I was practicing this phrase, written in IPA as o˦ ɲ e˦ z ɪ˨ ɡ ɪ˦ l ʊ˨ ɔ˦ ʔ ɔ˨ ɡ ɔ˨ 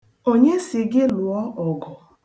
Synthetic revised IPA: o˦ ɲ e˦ s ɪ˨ ɡ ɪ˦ l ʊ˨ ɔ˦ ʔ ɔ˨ ɡ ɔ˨